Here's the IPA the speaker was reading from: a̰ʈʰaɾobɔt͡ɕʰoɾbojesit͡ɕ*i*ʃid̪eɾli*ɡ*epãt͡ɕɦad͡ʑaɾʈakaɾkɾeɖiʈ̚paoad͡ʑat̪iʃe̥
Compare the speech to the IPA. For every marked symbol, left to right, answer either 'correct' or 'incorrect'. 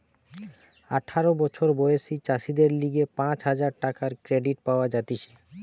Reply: incorrect: a, correct

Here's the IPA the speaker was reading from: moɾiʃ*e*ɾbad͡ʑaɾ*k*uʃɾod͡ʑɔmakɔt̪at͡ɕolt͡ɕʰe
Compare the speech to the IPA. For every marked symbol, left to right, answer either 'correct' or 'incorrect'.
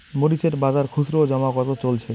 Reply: correct, incorrect: kʰ

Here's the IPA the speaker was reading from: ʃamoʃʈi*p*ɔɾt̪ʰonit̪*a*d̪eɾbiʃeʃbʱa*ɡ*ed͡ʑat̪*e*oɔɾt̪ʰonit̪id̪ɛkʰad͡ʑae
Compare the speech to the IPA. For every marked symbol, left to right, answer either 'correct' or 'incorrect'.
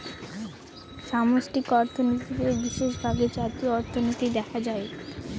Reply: incorrect: k, incorrect: i, correct, incorrect: i

